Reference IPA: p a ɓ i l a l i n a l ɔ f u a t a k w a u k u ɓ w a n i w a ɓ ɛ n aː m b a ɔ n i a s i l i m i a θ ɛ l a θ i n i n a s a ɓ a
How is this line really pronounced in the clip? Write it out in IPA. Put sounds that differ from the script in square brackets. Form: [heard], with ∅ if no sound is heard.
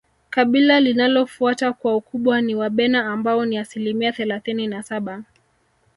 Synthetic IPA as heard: [k] a ɓ i l a l i n a l ɔ f u a t a k w a u k u ɓ w a n i w a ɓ ɛ n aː m b a ɔ n i a s i l i m i a θ ɛ l a θ i n i n a s a ɓ a